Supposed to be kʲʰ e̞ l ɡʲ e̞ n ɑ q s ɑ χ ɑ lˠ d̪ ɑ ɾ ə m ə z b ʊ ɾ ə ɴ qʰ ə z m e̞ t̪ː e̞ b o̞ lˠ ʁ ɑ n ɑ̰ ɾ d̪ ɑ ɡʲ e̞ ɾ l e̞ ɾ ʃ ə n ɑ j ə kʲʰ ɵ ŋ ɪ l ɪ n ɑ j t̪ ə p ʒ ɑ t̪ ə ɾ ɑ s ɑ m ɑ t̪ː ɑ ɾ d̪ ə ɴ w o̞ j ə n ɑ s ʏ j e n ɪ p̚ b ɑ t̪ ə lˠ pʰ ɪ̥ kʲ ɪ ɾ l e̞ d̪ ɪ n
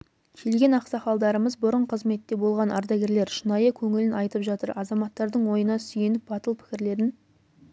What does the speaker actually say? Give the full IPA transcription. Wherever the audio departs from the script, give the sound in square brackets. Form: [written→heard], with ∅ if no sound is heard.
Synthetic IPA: kʲʰ e̞ l ɡʲ e̞ n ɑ q s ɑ χ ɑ lˠ d̪ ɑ ɾ ə m ə z b ʊ ɾ ə ɴ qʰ ə z m e̞ t̪ː e̞ b o̞ lˠ ʁ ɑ n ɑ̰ ɾ d̪ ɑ ɡʲ e̞ ɾ l e̞ ɾ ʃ ə n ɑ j ə kʲʰ ɵ ŋ ɪ l ɪ n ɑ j t̪ ə p ʒ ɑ t̪ ə ɾ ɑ [s→z] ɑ m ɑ t̪ː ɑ ɾ d̪ ə ɴ w o̞ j ə n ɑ s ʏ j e n ɪ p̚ b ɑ t̪ ə lˠ pʰ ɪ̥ kʲ ɪ ɾ l e̞ d̪ ɪ n